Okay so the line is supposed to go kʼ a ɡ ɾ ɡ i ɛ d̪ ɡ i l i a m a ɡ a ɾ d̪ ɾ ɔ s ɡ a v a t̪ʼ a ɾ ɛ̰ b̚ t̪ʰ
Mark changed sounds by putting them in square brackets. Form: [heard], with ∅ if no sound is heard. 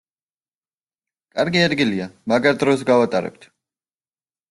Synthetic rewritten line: kʼ a [∅] ɾ ɡ i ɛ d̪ ɡ i l i a m a ɡ a ɾ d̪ ɾ ɔ s ɡ a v a t̪ʼ a ɾ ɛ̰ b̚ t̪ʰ